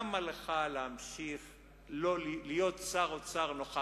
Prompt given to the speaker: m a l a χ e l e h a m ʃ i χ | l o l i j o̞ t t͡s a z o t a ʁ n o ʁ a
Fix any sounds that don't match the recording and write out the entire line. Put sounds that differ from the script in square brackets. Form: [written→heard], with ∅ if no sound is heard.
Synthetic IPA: m a l [a→e] χ [e→a] l e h a m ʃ i χ | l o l i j o̞ t t͡s a [z→ʁ] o [t→t͡s] a ʁ n o [ʁ→χ] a